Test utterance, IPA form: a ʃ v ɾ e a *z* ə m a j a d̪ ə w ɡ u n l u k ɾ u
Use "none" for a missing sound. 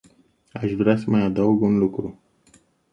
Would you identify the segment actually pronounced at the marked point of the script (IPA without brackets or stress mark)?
s